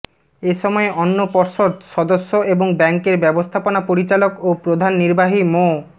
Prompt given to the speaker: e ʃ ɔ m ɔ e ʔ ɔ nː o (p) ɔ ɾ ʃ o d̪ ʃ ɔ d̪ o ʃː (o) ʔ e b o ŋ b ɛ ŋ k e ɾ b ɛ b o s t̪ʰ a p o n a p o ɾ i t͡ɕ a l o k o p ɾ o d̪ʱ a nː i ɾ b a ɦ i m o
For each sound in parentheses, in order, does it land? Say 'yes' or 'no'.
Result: yes, yes

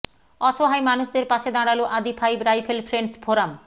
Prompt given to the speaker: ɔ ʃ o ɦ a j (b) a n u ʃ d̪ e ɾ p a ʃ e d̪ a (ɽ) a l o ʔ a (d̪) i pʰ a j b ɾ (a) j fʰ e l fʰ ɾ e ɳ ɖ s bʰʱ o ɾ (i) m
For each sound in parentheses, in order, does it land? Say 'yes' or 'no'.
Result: no, yes, yes, yes, no

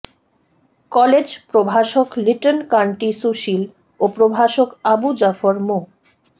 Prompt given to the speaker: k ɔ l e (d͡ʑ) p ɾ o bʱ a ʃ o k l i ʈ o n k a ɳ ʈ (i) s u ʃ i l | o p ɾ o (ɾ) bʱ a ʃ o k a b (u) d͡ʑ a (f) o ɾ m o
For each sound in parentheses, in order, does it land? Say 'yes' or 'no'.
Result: yes, yes, no, yes, yes

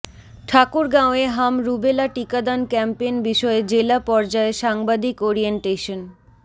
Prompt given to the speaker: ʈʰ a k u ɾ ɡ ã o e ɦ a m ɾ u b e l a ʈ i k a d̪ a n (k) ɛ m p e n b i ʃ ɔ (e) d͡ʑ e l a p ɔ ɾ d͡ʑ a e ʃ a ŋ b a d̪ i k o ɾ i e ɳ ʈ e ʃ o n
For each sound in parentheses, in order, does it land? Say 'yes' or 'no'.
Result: yes, yes

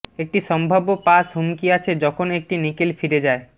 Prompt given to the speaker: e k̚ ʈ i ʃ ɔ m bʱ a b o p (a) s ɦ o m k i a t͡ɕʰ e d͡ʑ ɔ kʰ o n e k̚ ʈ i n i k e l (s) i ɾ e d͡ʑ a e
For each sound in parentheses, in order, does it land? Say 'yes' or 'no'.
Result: yes, no

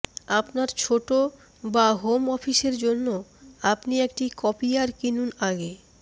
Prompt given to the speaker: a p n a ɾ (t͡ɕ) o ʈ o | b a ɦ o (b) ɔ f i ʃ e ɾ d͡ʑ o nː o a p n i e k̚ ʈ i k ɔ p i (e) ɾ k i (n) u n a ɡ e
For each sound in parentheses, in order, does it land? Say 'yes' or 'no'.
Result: no, no, no, yes

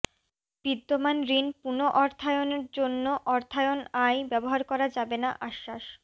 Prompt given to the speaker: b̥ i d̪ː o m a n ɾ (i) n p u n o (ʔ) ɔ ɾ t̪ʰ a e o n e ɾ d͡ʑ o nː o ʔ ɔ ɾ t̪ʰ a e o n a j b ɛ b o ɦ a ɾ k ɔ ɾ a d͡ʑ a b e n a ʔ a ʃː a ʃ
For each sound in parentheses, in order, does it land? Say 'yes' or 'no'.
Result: yes, yes

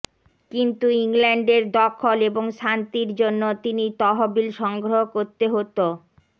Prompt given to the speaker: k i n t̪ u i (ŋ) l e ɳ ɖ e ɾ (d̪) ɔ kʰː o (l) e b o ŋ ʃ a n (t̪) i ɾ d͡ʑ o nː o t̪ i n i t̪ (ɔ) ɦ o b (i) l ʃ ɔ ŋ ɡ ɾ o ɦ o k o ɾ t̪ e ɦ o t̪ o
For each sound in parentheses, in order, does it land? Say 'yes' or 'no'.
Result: yes, yes, yes, yes, yes, yes

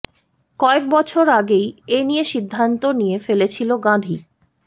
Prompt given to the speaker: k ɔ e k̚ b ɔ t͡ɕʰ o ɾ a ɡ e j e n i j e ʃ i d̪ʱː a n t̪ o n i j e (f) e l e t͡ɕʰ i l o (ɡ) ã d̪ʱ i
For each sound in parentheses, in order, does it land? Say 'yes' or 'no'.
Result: yes, yes

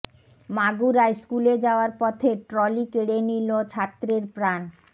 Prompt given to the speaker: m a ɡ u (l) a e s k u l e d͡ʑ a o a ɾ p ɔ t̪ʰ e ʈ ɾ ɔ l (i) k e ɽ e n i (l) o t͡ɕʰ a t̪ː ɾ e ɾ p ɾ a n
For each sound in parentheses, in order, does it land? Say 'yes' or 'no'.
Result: no, yes, yes

